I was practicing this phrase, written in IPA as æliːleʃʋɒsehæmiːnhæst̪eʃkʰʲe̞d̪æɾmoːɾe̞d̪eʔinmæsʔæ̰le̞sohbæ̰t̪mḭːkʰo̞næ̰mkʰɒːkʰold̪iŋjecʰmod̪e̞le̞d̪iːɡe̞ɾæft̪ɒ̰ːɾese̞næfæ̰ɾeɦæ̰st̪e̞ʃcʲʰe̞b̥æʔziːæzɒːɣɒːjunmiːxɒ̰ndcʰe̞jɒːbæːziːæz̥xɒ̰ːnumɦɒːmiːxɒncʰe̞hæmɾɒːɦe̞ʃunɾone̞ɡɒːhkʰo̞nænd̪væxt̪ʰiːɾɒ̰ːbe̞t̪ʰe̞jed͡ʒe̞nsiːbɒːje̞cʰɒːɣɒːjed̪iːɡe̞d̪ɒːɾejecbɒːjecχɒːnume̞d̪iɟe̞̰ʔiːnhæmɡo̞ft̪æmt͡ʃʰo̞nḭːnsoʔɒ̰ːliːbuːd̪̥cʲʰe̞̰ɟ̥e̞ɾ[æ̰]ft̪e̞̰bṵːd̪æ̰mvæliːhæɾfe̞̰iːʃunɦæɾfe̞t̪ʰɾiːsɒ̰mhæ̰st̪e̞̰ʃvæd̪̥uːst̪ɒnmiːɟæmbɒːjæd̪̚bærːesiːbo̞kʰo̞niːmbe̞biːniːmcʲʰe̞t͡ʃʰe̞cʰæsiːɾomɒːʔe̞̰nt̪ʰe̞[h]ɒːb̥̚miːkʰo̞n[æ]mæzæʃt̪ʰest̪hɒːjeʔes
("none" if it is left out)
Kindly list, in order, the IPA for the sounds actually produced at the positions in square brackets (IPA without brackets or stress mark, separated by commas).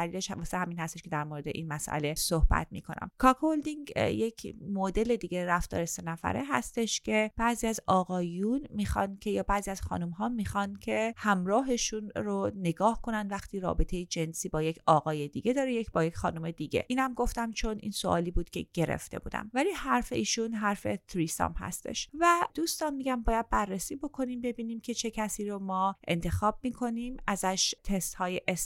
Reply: ḛ, x, i